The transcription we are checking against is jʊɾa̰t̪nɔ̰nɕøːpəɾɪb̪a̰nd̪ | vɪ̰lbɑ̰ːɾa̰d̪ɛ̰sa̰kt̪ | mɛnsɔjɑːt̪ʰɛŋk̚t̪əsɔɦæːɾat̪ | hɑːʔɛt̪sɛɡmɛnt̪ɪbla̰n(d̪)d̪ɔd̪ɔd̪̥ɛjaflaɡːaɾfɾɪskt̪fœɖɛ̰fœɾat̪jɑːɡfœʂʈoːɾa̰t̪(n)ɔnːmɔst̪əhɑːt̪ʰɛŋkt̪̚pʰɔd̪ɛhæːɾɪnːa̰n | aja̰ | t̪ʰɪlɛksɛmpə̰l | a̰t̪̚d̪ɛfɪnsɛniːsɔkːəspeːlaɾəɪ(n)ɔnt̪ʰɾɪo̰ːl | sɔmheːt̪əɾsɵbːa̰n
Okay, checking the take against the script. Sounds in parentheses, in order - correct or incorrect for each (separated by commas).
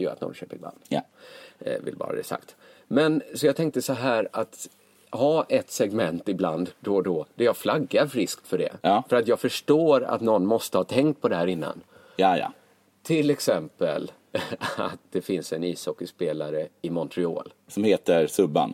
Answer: correct, correct, incorrect